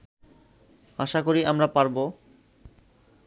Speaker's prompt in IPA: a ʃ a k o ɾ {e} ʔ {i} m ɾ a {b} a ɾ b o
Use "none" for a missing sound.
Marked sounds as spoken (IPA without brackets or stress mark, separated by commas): i, a, p